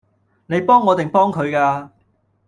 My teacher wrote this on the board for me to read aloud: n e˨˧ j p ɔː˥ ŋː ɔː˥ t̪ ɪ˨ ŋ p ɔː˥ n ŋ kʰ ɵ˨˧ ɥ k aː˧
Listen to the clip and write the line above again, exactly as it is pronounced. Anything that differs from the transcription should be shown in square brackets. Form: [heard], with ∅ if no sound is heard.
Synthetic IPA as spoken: n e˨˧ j p ɔː˥ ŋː [ɔː˨˧] t̪ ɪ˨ ŋ p ɔː˥ [∅] ŋ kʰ ɵ˨˧ ɥ k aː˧